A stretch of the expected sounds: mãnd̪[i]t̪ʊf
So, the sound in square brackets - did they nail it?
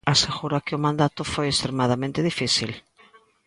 no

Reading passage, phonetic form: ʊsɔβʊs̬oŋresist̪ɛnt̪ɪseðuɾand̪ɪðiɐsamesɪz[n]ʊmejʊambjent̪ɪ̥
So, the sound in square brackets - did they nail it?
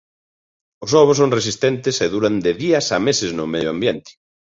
yes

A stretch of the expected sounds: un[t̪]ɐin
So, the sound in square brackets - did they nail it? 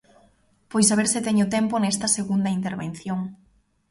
no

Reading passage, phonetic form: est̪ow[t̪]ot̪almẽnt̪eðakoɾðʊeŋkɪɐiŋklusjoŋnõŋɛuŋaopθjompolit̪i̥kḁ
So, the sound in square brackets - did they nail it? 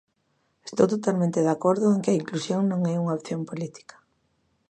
yes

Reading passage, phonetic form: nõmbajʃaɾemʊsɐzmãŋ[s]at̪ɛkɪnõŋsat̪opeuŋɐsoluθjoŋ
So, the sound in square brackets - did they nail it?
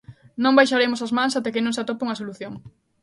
yes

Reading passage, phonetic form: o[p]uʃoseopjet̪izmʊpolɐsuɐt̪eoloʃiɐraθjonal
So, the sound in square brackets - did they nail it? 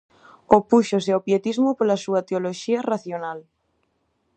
yes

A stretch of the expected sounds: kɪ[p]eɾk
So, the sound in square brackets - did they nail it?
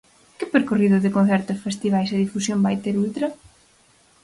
yes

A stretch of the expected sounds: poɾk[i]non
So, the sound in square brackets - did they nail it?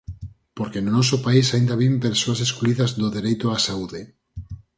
no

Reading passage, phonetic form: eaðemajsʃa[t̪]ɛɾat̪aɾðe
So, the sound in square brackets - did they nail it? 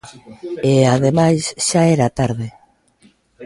no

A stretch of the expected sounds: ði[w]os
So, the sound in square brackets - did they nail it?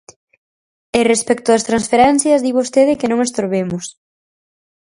no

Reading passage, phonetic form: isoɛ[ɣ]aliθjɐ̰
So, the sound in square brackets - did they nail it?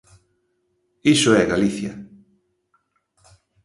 yes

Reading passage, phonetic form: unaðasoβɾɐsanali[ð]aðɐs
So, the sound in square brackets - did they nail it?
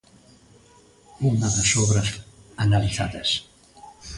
no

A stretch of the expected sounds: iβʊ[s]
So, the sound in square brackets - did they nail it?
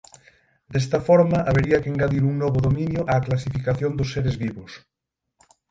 yes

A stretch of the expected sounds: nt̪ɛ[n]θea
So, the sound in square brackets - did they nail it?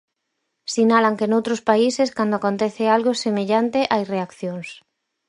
no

